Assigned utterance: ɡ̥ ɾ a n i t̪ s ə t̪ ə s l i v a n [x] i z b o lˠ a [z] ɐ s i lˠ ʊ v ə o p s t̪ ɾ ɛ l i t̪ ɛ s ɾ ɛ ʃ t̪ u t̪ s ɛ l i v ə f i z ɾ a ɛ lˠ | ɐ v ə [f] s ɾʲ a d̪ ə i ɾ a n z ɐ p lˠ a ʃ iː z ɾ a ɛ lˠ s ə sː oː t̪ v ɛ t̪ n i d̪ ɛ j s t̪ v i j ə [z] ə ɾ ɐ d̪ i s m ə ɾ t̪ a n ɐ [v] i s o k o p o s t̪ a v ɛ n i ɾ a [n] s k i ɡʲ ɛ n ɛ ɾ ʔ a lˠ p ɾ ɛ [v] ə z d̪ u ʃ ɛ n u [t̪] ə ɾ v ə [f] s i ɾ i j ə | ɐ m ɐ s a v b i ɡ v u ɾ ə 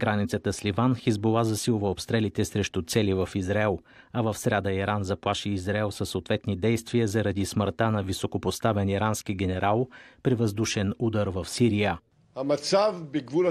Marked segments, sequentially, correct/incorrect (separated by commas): correct, correct, correct, correct, correct, correct, correct, incorrect, correct